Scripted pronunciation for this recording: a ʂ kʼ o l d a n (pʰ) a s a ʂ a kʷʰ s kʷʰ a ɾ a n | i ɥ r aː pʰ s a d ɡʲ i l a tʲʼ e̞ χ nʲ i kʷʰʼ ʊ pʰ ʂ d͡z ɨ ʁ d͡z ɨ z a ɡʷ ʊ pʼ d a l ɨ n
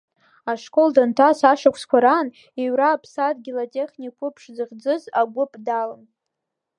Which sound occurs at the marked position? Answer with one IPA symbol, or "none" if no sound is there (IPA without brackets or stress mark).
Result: tʰ